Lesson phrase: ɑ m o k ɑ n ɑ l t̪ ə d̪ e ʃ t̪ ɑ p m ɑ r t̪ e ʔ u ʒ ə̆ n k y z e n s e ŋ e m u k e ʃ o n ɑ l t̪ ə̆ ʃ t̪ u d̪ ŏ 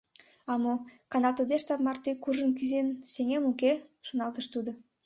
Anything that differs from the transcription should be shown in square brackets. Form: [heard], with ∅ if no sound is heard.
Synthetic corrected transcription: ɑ m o k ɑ n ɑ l t̪ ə d̪ e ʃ t̪ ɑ p m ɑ r t̪ e [k] u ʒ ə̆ n k y z e n s e ŋ e m u k e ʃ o n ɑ l t̪ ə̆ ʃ t̪ u d̪ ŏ